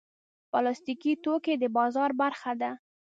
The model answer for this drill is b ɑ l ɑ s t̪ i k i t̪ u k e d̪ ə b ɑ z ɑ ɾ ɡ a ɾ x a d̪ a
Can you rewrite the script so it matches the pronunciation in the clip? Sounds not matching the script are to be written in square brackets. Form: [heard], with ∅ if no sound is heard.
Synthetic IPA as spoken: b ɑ l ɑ s t̪ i k i t̪ [o] k e d̪ ə b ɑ z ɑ ɾ [b] a ɾ x a d̪ a